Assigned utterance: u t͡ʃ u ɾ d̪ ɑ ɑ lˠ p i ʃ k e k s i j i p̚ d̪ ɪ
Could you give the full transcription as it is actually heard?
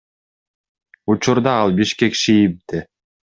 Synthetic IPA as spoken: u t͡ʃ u ɾ d̪ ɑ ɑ lˠ b i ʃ k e k ʃ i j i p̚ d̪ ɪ